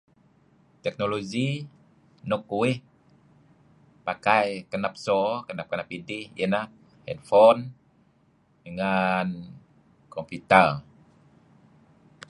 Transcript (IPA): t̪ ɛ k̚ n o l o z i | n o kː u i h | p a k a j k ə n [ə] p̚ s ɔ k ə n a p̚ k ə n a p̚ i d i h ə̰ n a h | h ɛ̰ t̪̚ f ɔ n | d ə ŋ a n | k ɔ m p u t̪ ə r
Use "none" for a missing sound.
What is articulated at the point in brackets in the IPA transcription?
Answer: a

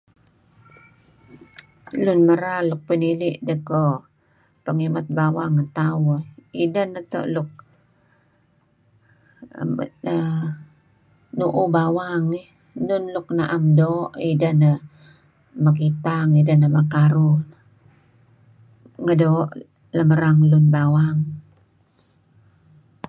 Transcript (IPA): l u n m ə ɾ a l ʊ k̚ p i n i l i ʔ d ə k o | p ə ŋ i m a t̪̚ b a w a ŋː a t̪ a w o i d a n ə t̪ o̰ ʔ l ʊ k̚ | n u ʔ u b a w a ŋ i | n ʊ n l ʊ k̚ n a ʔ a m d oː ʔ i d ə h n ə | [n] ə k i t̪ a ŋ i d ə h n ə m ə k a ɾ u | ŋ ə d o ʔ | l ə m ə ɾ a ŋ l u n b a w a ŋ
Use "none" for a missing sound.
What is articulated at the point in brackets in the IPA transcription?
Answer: m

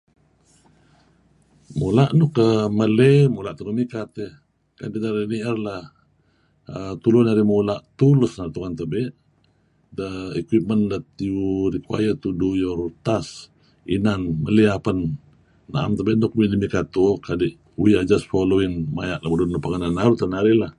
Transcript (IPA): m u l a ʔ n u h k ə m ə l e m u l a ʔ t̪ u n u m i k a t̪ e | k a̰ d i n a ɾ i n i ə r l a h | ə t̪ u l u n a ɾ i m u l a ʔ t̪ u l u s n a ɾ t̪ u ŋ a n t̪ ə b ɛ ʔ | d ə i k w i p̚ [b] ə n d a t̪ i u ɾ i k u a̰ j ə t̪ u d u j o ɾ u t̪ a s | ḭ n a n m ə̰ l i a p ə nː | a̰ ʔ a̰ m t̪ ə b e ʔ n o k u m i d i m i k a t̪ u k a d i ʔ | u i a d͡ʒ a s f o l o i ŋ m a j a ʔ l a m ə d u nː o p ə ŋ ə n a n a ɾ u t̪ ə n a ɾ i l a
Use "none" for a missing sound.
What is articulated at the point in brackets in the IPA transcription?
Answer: m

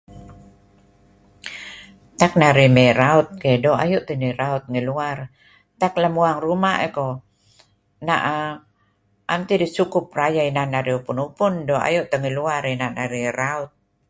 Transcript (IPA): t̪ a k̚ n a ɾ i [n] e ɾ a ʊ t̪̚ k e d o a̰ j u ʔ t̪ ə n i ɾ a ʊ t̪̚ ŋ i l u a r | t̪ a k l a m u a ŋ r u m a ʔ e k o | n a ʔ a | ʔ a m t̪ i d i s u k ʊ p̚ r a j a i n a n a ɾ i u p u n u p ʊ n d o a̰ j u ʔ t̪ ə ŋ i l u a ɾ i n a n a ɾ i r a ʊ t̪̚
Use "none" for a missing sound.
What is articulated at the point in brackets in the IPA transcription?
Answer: m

